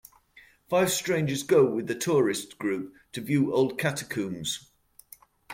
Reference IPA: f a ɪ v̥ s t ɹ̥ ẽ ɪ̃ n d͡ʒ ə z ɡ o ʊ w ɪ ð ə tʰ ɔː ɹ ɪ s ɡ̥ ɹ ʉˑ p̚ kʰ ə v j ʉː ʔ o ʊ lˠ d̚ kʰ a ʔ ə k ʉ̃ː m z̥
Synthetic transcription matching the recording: f a ɪ v̥ s t ɹ̥ ẽ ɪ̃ n d͡ʒ ə z ɡ o ʊ w ɪ ð ə tʰ ɔː ɹ ɪ s ɡ̥ ɹ ʉˑ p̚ tʰ ə v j ʉː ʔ o ʊ lˠ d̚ kʰ a t ə kʰ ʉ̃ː m z̥